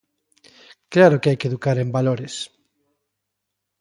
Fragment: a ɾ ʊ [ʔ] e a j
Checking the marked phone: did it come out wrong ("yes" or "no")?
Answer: yes